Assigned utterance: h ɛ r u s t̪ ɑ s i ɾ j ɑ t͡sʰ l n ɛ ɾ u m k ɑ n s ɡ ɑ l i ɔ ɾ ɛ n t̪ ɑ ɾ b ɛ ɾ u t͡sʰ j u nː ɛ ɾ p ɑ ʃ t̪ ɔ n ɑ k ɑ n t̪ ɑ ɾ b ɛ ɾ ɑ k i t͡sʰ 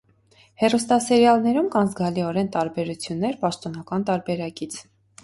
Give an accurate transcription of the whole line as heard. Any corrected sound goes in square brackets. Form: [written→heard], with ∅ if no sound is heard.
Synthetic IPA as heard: h ɛ r u s t̪ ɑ s [i→ɛ] ɾ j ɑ [t͡sʰ→∅] l n ɛ ɾ u m k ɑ n [s→z] ɡ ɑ l i ɔ ɾ ɛ n t̪ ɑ ɾ b ɛ ɾ u t͡sʰ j u nː ɛ ɾ p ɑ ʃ t̪ ɔ n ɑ k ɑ n t̪ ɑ ɾ b ɛ ɾ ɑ k i t͡sʰ